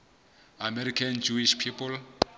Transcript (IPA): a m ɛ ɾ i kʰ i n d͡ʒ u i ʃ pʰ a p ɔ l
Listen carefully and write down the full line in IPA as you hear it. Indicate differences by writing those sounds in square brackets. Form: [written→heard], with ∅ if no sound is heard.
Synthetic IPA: a m ɛ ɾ i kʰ [i→a] n d͡ʒ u i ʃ pʰ [a→i] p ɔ l